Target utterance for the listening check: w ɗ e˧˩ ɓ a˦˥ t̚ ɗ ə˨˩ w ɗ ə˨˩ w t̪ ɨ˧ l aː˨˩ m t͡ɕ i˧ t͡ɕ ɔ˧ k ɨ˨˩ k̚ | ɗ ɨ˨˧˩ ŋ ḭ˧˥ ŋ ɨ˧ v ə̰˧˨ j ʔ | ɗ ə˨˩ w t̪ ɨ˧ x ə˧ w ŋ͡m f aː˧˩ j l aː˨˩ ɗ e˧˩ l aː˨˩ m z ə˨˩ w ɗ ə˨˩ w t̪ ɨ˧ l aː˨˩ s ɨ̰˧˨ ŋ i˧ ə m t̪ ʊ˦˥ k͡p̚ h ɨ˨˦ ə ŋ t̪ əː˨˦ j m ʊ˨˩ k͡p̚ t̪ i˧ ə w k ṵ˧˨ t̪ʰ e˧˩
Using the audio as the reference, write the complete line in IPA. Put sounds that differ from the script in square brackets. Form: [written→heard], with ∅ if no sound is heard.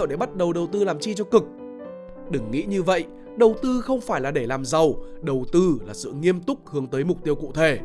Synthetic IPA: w ɗ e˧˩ ɓ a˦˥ t̚ ɗ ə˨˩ w ɗ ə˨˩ w t̪ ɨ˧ l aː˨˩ m t͡ɕ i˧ t͡ɕ ɔ˧ k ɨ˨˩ k̚ | ɗ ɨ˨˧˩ [ŋ→ŋː] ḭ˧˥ [ŋ→ɲ] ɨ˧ v ə̰˧˨ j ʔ | ɗ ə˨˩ w t̪ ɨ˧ x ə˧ w ŋ͡m f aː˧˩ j l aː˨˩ ɗ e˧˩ l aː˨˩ m z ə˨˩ w ɗ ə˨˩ w t̪ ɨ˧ l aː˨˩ s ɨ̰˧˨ ŋ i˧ ə m t̪ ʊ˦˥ k͡p̚ h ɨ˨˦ ə ŋ t̪ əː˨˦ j m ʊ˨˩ k͡p̚ t̪ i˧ ə w k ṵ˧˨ t̪ʰ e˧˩